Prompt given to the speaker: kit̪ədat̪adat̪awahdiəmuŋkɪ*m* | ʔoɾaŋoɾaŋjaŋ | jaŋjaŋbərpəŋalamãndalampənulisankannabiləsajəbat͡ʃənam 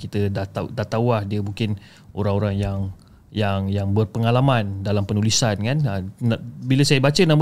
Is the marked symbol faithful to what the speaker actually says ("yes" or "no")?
no